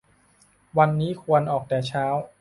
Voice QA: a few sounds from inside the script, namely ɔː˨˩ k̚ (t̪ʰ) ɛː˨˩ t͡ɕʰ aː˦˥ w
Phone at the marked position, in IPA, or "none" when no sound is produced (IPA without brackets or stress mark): t̪